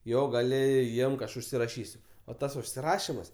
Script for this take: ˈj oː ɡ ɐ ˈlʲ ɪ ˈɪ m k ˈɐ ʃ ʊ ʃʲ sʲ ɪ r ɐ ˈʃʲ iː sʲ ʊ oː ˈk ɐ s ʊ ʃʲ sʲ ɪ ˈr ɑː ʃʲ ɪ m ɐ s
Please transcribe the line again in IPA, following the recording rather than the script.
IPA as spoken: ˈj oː ɡ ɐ ˈlʲ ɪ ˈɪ m k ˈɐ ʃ ʊ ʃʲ sʲ ɪ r ɐ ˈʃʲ iː sʲ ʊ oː ˈt ɐ s ʊ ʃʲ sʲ ɪ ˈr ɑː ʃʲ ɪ m ɐ s